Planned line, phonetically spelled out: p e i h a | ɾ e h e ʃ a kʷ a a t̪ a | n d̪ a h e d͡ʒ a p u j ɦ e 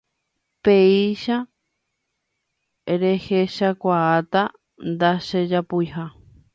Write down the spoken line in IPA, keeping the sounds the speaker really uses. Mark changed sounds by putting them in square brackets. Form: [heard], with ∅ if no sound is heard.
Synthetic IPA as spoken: p e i [ʃ] a | ɾ e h e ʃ a kʷ a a t̪ a | n d̪ a [ʃ] e d͡ʒ a p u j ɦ [a]